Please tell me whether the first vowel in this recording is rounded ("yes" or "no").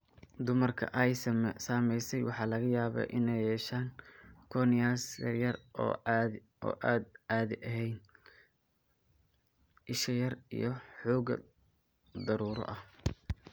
yes